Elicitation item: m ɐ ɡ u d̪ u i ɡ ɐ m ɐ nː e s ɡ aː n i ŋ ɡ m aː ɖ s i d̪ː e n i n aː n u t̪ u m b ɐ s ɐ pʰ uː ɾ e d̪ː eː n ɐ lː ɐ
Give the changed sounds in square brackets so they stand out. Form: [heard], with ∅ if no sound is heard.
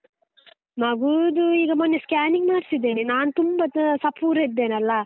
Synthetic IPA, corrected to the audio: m ɐ ɡ u d̪ u [iː] ɡ ɐ m ɐ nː e s [k] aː n i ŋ ɡ m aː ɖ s i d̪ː e n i n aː n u t̪ u m b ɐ s ɐ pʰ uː ɾ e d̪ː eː n ɐ lː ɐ